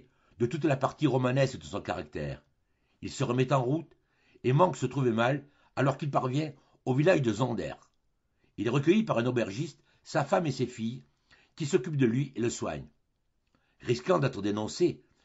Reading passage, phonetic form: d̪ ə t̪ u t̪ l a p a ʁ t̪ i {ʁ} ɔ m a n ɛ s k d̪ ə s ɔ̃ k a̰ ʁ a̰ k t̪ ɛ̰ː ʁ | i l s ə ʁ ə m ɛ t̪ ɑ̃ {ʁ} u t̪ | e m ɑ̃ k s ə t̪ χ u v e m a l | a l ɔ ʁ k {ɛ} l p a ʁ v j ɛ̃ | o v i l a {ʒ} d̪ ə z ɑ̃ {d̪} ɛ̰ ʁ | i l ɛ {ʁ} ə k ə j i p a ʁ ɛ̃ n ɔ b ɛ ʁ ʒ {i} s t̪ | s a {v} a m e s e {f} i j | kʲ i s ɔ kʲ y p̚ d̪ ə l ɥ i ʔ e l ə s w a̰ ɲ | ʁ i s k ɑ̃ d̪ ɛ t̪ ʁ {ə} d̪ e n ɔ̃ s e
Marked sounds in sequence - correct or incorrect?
correct, correct, incorrect: i, correct, correct, correct, correct, incorrect: f, correct, correct

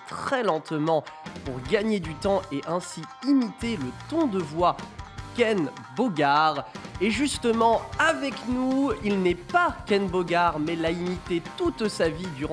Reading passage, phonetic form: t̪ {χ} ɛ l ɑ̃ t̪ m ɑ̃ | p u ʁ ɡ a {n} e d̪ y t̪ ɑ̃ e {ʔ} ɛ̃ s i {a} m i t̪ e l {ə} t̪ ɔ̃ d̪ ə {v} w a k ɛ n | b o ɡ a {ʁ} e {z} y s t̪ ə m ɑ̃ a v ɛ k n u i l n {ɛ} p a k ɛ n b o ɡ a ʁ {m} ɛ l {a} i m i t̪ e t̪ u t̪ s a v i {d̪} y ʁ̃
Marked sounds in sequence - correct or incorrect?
correct, incorrect: ɲ, correct, incorrect: i, correct, correct, correct, incorrect: ʒ, correct, correct, correct, correct

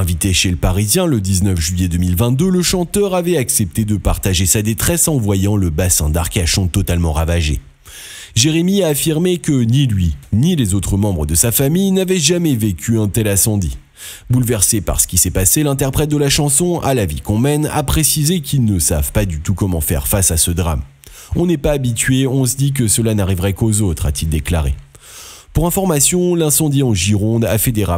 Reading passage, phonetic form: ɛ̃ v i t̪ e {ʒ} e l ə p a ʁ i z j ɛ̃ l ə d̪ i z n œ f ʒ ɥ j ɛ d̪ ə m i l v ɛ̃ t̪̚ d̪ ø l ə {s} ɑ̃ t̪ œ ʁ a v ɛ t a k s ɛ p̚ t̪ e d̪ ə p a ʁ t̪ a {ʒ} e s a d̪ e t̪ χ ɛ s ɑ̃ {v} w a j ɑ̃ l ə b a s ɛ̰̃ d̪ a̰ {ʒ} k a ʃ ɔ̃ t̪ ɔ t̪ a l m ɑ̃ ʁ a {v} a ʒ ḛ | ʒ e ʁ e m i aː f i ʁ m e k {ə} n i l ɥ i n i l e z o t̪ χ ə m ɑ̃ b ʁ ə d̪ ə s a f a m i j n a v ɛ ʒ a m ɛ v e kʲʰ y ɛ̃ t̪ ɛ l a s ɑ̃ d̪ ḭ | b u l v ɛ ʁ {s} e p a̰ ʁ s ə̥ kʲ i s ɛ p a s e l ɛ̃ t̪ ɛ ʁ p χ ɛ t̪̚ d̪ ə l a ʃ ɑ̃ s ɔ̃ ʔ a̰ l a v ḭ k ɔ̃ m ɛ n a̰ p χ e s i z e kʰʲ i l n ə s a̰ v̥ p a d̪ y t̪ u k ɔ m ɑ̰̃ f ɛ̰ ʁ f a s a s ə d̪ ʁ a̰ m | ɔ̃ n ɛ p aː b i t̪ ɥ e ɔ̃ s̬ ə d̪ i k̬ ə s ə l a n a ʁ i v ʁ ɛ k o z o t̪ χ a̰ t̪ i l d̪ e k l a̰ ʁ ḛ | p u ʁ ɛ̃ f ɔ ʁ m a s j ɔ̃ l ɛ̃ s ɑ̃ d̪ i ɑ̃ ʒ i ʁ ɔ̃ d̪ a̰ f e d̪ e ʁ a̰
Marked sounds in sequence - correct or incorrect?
incorrect: ʃ, incorrect: ʃ, correct, correct, incorrect: ʁ, correct, correct, correct

